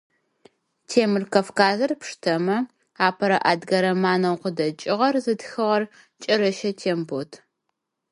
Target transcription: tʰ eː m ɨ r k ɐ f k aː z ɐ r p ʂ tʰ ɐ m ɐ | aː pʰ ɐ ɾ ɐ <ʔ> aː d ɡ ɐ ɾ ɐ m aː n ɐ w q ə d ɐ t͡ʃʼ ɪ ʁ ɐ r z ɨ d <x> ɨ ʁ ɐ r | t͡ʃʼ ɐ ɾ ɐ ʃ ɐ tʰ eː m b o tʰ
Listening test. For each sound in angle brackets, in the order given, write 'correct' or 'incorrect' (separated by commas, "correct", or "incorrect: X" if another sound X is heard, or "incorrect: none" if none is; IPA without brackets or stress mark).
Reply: correct, correct